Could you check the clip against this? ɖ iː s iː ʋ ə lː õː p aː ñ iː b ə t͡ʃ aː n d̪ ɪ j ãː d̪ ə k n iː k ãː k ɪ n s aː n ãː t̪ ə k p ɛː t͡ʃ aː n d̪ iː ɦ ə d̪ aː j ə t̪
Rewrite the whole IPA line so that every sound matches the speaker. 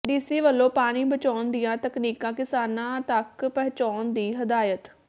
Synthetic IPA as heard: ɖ iː s iː ʋ ə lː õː p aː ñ iː b ə t͡ʃ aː n d̪ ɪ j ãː t̪ ə k n iː k ãː k ɪ s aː n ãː t̪ ə k p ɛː t͡ʃ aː n d̪ iː ɦ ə d̪ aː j ə t̪